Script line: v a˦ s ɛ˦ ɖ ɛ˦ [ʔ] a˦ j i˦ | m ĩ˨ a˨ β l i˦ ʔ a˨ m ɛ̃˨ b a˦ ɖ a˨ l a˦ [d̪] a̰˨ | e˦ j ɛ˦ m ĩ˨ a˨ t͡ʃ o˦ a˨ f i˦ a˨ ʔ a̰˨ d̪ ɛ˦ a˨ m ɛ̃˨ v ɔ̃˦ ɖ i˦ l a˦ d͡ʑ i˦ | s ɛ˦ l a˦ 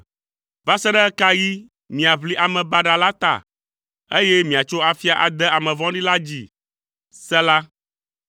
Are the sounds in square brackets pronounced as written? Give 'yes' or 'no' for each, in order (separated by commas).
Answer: no, no